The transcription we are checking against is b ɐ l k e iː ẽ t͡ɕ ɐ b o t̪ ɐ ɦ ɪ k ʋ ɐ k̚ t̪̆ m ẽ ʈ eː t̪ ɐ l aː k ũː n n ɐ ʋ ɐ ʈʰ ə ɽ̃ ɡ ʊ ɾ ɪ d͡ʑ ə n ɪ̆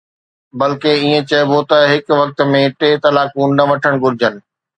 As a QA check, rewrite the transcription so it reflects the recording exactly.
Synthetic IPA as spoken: b ɐ l k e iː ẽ t͡ɕ ɐ b o t̪ ɐ ɦ ɪ k ʋ ɐ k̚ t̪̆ m ẽ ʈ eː t̪ ɐ l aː k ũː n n ɐ ʋ ɐ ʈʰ ə ɽ̃ ɡ ʊ ɾ ɪ d͡ʑ ə n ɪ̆